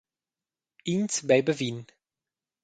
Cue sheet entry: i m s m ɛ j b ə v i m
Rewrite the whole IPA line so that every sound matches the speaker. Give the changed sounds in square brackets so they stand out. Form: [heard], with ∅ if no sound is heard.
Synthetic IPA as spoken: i [n] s [b] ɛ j b ə v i [n]